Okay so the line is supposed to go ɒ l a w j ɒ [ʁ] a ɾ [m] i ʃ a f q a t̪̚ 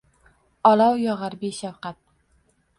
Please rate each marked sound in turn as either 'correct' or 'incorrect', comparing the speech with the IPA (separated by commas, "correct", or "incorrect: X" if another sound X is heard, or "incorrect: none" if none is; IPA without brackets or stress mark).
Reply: correct, incorrect: b